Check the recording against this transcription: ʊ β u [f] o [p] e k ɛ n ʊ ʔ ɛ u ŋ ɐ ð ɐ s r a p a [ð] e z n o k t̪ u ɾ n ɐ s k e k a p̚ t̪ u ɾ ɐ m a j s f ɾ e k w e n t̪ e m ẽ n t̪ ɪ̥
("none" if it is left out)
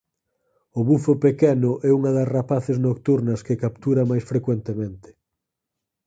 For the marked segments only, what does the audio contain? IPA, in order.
f, p, θ

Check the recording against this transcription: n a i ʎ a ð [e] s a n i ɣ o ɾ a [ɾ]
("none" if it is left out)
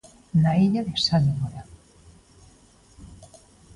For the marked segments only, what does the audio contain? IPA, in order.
e, none

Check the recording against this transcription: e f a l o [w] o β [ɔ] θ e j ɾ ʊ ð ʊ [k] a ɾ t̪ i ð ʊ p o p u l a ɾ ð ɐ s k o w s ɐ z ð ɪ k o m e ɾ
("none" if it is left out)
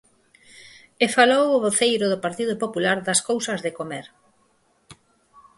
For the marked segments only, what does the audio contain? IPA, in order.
w, o, p

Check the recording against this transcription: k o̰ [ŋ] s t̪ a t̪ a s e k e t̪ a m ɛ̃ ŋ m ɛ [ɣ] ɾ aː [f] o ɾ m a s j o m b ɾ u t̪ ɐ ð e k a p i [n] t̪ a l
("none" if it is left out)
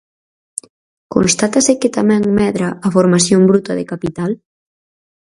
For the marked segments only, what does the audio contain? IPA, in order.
n, ð, f, none

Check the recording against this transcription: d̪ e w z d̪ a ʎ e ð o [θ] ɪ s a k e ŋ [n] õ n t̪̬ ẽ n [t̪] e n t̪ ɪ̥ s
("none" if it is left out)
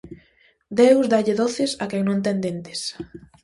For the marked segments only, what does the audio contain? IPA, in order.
θ, n, d̪

